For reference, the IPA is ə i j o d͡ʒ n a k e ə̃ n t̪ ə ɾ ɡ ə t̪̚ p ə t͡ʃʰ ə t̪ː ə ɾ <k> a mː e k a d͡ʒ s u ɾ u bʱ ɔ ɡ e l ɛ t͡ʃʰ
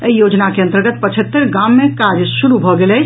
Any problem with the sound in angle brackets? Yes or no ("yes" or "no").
yes